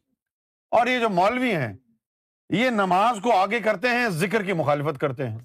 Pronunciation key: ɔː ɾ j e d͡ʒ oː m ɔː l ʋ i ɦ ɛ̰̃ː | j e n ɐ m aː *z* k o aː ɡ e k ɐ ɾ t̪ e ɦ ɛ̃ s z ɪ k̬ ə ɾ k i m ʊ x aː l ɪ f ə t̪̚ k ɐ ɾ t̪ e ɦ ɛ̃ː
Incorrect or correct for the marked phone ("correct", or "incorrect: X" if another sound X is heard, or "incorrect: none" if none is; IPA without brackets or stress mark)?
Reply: correct